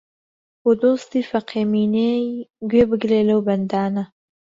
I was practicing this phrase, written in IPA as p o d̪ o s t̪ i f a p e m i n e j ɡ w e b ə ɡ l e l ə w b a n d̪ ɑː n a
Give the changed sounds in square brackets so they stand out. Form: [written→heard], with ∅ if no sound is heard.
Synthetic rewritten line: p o d̪ o s t̪ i f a [p→q] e m i n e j ɡ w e b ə ɡ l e l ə w b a n d̪ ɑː n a